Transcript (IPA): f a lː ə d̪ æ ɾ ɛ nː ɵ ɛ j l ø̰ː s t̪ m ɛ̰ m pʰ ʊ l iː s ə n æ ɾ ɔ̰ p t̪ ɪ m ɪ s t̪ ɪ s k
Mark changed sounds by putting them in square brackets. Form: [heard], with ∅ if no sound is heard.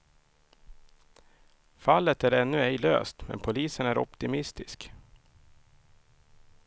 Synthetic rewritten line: f a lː ə [t̪] æ ɾ ɛ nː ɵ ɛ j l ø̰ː s t̪ m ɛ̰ [n] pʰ ʊ l iː s ə n æ ɾ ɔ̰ p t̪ ɪ m ɪ s t̪ ɪ s k